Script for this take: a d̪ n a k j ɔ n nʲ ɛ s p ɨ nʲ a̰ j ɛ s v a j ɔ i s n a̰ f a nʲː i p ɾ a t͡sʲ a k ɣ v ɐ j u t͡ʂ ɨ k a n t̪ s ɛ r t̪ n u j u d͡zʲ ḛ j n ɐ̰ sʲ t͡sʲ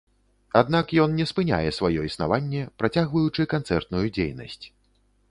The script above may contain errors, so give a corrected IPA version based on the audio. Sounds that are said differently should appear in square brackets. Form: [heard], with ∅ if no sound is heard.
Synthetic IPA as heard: a d̪ n a k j ɔ n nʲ ɛ s p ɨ nʲ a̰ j ɛ s v a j ɔ i s n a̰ [v] a nʲː [ɛ] p ɾ a t͡sʲ a [∅] ɣ v ɐ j u t͡ʂ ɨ k a n t̪ s ɛ r t̪ n u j u d͡zʲ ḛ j n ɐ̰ sʲ t͡sʲ